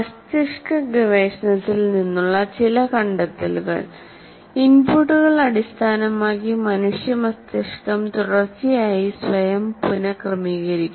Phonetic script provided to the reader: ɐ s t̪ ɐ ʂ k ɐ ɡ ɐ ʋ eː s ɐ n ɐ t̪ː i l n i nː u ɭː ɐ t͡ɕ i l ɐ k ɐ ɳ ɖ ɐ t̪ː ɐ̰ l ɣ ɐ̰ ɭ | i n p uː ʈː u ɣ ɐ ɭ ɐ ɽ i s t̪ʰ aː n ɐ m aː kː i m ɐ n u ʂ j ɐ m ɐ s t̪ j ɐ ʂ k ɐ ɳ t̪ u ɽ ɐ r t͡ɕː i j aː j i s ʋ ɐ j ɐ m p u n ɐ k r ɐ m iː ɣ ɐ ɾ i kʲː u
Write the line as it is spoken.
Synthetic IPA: ɐ s t̪ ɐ ʂ k ɐ ɡ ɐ ʋ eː ʂ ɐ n ɐ t̪ː i l n i nː u ɭː ɐ t͡ɕ i l ɐ k ɐ ɳ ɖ ɐ t̪ː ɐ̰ l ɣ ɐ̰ ɭ | i n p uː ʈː u ɣ ɐ ɭ ɐ ɽ i s t̪ʰ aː n ɐ m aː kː i m ɐ n u ʂ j ɐ m ɐ s t̪ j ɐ ʂ k ɐ m t̪ u ɽ ɐ r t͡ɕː i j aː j i s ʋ ɐ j ɐ m p u n ɐ k r ɐ m iː ɣ ɐ ɾ i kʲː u